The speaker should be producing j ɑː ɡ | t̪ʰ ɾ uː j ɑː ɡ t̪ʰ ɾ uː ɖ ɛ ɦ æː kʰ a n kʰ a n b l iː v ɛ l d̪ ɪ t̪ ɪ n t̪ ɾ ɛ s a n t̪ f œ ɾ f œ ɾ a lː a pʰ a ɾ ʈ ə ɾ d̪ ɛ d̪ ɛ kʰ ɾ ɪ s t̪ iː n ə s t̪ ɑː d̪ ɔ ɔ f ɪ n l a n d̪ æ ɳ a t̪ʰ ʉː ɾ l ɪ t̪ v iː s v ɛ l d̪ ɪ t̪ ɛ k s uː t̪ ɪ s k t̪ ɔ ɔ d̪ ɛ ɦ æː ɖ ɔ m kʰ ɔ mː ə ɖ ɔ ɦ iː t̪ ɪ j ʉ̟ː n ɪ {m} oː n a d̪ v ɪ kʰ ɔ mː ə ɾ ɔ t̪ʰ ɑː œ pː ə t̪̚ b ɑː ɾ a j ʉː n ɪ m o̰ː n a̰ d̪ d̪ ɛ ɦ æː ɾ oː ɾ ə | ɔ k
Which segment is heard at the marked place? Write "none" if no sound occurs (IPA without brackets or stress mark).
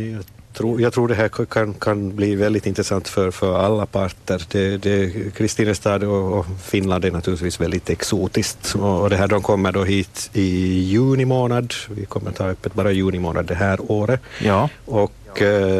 m